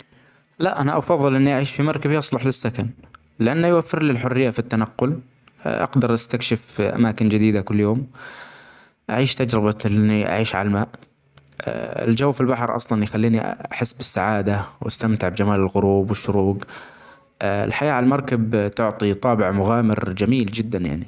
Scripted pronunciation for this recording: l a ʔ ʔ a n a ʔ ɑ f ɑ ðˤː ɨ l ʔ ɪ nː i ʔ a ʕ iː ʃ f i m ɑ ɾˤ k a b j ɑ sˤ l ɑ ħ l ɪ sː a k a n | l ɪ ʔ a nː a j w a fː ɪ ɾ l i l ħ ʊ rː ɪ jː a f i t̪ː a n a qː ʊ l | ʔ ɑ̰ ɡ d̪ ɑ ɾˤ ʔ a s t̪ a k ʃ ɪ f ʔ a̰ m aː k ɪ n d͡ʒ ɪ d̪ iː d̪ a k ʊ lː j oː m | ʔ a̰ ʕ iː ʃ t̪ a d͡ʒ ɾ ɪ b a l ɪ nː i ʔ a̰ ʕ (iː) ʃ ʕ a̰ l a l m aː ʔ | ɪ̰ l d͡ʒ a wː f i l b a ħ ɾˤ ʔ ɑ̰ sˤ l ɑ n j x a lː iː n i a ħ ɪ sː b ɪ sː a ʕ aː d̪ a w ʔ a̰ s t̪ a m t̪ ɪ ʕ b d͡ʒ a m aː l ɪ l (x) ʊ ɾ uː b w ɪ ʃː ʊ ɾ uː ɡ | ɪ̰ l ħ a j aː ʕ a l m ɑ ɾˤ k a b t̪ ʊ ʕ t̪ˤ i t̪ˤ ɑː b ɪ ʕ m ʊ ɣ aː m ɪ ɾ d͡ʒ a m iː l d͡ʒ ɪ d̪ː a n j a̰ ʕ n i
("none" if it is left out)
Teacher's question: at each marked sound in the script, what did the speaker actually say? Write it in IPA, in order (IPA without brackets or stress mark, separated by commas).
iː, ɣ